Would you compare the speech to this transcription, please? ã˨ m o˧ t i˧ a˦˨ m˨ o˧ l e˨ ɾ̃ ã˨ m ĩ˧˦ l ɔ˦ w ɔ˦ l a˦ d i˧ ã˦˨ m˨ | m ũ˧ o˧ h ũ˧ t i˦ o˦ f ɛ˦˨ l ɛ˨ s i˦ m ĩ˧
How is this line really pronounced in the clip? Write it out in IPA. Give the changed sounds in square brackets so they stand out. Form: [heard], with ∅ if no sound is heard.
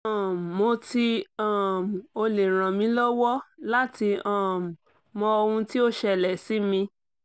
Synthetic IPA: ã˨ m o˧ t i˧ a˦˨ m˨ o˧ l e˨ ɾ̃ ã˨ m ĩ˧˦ l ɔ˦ w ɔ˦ l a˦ [t] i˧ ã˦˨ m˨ | m [ɔ̃˧] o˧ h ũ˧ t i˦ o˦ [ʃ] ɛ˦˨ l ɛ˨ s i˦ m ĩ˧